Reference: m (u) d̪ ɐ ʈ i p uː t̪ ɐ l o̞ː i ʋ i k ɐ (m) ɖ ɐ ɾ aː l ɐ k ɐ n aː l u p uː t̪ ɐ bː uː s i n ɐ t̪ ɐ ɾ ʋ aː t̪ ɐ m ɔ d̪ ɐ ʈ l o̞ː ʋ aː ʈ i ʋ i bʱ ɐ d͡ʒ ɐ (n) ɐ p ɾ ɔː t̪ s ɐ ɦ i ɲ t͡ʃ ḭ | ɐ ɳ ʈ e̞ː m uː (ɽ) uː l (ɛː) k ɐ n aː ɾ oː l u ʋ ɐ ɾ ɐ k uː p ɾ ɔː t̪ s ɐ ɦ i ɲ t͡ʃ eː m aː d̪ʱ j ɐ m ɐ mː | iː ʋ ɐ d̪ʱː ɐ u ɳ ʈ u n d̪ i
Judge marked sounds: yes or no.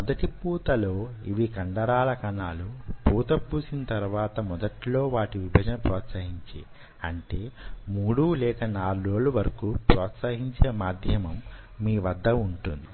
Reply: no, no, yes, yes, yes

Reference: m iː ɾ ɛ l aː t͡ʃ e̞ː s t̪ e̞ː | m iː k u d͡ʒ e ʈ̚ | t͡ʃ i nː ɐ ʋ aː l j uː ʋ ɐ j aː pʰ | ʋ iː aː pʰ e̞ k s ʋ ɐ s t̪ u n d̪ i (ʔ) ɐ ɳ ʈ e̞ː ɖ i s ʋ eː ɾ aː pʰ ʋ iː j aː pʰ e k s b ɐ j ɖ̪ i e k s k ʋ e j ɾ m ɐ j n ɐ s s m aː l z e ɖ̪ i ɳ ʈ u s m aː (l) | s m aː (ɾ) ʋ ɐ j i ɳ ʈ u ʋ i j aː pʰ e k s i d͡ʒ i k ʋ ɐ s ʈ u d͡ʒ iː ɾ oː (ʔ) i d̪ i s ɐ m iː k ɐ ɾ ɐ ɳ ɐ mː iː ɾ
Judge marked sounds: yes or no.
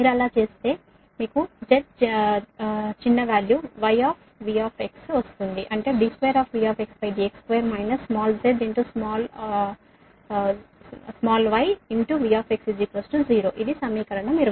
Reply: yes, yes, no, yes

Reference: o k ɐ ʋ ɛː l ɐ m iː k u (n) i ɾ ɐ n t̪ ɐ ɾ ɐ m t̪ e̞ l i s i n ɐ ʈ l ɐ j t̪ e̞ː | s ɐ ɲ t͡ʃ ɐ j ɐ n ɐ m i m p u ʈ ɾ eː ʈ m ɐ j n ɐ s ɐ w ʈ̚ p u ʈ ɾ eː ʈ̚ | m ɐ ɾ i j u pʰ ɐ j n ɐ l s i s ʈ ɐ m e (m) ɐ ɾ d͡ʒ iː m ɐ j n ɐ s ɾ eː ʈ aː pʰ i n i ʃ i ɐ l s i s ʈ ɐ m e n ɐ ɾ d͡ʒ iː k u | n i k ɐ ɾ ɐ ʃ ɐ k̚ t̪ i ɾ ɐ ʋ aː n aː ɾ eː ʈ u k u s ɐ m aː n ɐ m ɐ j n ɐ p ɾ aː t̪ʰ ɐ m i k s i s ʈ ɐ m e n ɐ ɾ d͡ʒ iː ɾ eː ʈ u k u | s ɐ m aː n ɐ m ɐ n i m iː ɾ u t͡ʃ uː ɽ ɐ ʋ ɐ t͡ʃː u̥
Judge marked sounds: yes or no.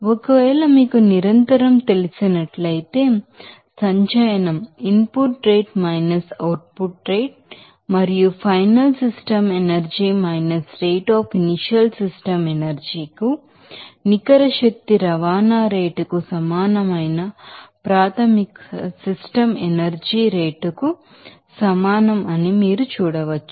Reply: yes, no

